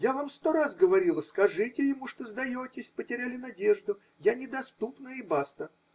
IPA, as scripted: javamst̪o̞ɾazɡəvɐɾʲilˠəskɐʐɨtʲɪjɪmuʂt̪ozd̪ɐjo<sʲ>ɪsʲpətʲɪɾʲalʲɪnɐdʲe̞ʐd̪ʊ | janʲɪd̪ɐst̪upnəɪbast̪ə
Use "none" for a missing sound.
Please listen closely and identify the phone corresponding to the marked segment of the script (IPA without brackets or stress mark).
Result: tʲ